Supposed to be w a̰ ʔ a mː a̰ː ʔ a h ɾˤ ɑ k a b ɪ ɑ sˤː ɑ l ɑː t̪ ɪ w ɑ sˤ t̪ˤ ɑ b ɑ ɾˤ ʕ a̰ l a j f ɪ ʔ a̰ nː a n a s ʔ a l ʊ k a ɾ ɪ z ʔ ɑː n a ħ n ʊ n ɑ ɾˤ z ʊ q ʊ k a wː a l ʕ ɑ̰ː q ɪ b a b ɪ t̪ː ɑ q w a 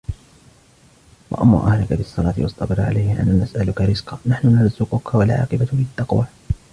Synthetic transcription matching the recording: w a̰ ʔ a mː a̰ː ʔ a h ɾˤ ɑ k a b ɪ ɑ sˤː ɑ l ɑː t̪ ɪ w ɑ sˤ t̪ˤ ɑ b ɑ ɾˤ ʕ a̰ l a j h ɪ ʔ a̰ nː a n a s ʔ a l ʊ k a ɾ ɪ z q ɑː n a ħ n ʊ n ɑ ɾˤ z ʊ q ʊ k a w a l ʕ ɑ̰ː q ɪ b a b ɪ t̪ː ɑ q w a